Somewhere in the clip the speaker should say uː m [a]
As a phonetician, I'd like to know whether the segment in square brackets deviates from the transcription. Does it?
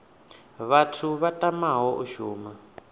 no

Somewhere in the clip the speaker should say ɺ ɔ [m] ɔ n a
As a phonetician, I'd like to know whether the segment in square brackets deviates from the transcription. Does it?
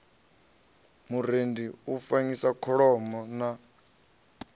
no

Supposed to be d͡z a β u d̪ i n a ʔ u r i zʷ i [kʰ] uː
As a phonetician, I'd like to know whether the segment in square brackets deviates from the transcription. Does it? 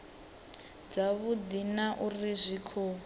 no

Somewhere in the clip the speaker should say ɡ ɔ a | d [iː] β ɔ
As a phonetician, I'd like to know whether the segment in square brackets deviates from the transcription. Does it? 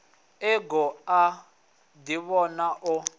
yes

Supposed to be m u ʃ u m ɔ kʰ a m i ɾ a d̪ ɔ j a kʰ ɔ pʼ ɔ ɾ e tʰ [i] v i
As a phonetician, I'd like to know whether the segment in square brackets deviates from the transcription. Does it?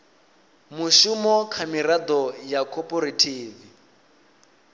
yes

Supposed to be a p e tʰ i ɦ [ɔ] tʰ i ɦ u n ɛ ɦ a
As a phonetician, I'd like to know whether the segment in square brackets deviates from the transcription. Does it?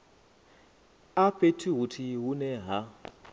yes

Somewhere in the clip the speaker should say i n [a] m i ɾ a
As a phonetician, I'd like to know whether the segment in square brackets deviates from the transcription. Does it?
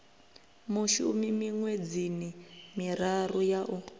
yes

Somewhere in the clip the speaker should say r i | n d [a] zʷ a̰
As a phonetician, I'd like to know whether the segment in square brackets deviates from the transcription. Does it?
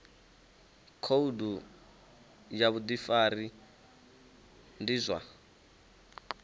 yes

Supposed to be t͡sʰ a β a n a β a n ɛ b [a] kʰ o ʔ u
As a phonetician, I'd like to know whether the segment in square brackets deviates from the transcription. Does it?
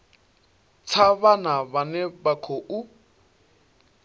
no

